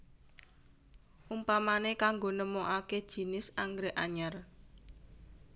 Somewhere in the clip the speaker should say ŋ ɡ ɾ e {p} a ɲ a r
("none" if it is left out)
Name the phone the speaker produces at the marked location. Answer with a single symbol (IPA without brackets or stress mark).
ʔ